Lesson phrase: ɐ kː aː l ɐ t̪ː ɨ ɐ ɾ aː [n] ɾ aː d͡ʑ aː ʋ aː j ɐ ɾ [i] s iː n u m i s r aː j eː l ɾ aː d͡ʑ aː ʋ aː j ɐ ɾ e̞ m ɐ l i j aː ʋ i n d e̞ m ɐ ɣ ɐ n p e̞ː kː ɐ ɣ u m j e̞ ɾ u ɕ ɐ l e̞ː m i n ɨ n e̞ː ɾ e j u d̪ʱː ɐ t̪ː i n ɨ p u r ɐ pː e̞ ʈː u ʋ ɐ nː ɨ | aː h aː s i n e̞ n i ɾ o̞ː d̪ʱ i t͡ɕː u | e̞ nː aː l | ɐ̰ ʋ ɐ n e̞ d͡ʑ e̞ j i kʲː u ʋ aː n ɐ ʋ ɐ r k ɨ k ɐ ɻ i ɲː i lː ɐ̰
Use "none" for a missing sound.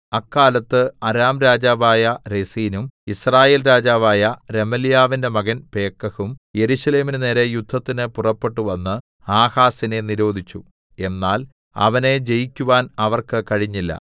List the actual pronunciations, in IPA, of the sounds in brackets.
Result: m, e

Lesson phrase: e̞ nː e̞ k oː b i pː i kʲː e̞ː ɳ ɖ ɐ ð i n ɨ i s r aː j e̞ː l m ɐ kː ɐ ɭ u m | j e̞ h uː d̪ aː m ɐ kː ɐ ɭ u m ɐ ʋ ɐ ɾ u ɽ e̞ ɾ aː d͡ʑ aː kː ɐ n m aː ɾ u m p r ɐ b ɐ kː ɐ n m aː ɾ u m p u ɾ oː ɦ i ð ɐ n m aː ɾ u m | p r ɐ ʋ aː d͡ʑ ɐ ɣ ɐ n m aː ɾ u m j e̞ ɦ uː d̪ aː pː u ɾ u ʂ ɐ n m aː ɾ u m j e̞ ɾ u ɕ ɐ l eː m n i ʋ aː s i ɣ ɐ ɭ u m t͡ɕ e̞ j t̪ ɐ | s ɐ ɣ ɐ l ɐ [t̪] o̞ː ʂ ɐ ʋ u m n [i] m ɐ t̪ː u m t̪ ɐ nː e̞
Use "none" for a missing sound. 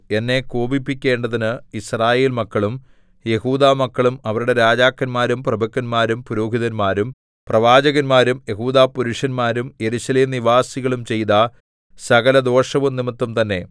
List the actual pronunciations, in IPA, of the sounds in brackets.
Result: d̪, i

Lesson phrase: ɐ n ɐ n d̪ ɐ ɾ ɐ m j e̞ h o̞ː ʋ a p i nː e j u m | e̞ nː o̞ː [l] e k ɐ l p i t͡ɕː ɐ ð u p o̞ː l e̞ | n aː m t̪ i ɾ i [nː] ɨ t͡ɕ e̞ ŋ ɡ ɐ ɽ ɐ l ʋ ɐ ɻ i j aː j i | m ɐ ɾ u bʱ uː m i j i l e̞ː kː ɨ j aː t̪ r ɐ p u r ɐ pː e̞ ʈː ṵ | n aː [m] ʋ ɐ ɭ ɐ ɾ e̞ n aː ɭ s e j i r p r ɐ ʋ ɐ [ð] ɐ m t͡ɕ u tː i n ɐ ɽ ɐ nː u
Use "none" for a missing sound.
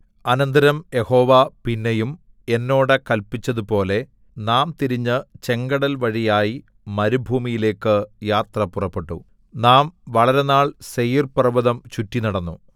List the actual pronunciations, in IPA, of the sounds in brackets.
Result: ɽ, ɲː, m, ð

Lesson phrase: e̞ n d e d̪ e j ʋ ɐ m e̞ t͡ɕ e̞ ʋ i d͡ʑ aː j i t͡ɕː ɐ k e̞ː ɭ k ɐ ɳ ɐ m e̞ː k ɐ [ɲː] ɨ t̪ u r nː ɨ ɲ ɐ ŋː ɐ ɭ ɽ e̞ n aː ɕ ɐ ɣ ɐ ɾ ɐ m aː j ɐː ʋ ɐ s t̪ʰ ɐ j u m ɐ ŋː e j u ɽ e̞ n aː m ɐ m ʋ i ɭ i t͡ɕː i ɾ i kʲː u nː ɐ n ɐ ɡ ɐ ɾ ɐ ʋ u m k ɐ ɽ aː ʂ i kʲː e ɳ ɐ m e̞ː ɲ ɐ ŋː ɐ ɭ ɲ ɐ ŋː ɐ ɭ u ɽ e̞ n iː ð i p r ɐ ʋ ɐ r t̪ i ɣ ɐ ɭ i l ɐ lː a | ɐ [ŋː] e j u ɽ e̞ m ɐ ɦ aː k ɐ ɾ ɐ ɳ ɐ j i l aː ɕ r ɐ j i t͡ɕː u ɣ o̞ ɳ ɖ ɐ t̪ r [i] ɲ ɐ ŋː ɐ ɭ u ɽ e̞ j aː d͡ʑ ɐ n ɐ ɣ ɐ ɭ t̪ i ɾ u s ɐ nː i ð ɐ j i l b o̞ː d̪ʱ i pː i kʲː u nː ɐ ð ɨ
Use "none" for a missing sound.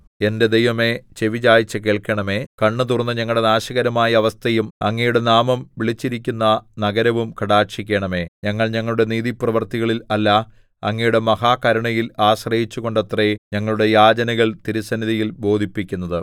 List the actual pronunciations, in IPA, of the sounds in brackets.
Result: ɳː, ŋː, e

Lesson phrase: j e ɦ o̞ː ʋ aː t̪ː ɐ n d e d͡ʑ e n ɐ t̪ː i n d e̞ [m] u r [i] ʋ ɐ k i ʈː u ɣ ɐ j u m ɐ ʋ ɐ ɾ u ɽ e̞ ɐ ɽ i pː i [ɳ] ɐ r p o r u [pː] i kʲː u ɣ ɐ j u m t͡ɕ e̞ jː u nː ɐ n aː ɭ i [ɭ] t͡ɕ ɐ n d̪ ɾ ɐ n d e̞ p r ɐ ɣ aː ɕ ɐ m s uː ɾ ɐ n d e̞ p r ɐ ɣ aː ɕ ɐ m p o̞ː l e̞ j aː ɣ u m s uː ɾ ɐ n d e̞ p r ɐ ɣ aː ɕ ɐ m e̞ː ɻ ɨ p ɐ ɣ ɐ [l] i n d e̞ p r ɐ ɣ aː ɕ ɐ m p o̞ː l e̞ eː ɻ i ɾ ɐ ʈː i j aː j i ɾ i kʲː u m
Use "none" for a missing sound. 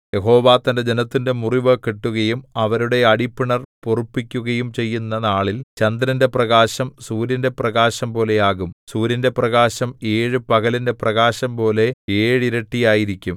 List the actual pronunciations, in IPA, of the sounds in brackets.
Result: m, i, ɳ, pː, l, l

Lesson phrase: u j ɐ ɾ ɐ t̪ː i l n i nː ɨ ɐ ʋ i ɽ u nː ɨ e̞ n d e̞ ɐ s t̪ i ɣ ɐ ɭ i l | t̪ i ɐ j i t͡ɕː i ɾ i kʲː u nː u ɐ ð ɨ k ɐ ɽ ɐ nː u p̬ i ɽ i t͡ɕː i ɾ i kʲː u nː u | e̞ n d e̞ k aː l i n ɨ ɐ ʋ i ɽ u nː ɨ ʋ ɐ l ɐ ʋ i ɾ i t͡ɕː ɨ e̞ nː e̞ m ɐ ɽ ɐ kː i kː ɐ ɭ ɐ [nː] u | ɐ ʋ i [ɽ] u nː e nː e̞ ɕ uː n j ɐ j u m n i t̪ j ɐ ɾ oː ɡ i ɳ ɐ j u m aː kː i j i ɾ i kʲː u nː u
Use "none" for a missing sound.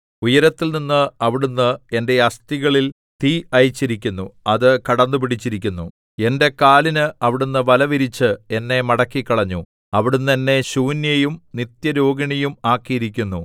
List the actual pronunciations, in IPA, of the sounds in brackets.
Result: ɲː, ɽ

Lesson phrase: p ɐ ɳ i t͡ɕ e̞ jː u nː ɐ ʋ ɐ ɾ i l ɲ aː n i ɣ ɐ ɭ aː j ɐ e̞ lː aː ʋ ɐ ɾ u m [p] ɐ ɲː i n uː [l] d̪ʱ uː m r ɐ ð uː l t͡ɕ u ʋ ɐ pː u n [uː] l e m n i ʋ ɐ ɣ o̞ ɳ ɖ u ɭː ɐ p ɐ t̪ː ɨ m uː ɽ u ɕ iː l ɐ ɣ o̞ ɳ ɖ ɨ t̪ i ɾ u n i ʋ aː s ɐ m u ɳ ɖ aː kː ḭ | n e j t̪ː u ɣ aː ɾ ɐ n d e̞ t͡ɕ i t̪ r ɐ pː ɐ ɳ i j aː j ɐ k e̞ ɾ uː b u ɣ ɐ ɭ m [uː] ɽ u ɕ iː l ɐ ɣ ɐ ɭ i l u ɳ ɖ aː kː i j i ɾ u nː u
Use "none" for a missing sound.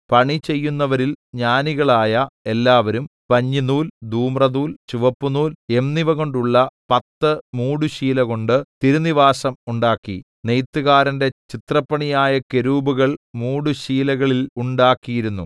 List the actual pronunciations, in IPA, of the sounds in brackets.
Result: p, l, uː, uː

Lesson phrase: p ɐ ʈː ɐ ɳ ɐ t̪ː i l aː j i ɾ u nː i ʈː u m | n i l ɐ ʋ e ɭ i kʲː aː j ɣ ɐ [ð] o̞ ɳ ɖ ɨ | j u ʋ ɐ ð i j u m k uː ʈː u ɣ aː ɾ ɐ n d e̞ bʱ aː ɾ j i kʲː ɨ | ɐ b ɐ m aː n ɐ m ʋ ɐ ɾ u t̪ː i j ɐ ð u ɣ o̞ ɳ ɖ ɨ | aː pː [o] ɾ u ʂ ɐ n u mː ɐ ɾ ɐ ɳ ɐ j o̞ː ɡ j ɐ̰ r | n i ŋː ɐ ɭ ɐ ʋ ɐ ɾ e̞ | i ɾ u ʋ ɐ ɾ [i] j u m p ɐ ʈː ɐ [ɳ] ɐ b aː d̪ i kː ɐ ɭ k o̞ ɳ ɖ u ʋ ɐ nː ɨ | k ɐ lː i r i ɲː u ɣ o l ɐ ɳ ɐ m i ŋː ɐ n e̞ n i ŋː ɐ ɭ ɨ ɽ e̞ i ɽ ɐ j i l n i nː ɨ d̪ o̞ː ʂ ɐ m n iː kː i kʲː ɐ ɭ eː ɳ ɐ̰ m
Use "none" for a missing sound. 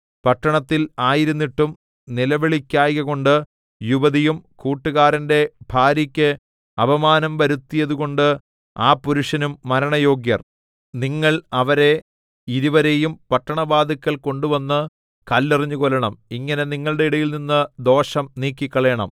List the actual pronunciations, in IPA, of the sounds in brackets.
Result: ɣ, u, e, ɳ

